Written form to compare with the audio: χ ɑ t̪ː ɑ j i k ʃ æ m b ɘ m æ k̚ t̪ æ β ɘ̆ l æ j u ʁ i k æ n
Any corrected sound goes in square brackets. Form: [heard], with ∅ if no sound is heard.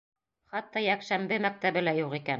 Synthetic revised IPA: χ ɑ t̪ː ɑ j [æ] k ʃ æ m b ɘ m æ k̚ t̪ æ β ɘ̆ l æ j u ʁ i k æ n